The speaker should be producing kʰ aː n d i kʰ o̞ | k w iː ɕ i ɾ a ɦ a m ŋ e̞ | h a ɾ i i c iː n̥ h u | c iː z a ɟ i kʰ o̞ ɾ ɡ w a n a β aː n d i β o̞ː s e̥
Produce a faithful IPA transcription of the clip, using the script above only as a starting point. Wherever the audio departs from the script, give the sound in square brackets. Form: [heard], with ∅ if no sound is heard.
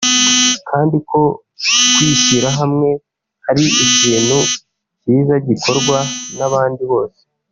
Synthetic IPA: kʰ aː n d i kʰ o̞ | k w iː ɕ i ɾ a ɦ a m ŋ e̞ | h a ɾ i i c iː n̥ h u | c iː z a ɟ i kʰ o̞ ɾ ɡ w a n a β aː n d i β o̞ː s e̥